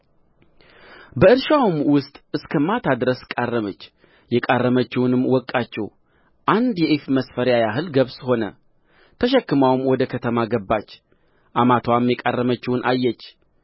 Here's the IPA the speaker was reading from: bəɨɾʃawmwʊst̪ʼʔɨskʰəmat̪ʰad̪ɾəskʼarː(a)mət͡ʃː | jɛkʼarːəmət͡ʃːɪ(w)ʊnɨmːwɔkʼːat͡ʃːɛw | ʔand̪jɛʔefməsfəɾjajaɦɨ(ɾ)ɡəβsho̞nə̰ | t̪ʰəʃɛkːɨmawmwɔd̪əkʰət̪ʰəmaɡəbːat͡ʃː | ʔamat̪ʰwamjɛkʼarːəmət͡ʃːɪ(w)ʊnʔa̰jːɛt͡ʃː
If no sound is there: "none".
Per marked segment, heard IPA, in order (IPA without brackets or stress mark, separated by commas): ə, w, l, w